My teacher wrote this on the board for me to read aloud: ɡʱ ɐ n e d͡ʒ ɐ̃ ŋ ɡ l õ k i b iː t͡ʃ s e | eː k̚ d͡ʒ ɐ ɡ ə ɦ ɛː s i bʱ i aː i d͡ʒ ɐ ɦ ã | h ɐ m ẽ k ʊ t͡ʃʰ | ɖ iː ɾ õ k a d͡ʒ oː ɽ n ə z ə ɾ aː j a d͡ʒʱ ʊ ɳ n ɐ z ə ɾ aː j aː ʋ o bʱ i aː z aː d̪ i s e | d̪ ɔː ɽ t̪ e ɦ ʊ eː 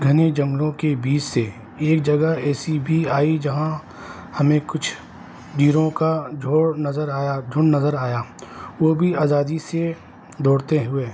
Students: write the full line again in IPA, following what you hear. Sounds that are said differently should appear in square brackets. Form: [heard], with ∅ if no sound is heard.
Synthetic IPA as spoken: ɡʱ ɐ n e d͡ʒ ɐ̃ ŋ ɡ l õ k [e] b iː t͡ʃ s e | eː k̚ d͡ʒ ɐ ɡ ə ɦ ɛː s i bʱ i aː i d͡ʒ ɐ ɦ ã | h ɐ m ẽ k ʊ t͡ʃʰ | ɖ iː ɾ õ k a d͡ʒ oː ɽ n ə z ə ɾ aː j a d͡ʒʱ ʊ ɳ n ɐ z ə ɾ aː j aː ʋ o bʱ i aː z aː d̪ i s e | d̪ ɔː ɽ t̪ e ɦ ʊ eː